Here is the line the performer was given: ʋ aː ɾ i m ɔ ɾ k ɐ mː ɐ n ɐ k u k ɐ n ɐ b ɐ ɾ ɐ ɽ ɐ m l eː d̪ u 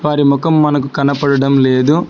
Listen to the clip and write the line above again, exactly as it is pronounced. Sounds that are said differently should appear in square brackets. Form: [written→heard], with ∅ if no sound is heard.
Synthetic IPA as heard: ʋ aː ɾ i m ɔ [ɾ→∅] k ɐ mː ɐ n ɐ k u k ɐ n ɐ [b→p] ɐ [ɾ→ɽ] ɐ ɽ ɐ m l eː d̪ u